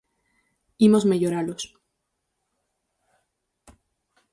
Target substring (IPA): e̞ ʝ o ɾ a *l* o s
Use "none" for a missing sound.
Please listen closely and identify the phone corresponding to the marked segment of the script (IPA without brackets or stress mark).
l